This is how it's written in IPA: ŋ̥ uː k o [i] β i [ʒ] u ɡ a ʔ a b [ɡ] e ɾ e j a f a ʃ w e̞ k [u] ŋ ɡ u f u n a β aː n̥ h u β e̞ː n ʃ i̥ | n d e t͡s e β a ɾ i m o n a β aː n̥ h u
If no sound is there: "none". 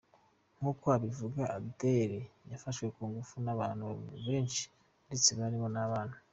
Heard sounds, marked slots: a, v, d, uː

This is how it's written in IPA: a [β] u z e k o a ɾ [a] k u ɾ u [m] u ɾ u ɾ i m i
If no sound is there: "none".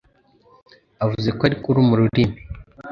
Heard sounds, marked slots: v, i, m

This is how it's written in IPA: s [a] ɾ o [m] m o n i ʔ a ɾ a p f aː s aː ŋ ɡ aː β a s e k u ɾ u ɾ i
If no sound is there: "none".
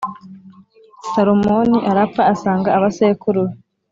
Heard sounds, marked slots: a, m

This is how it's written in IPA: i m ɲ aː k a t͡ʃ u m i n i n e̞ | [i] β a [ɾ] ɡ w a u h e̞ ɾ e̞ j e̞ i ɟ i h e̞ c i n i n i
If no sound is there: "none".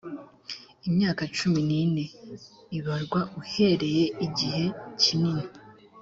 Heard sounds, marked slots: i, ɾ

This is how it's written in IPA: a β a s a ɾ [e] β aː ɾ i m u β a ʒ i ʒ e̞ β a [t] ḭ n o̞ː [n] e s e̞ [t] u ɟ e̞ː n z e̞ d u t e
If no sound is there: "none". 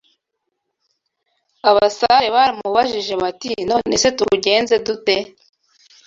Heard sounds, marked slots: e, t, n, t

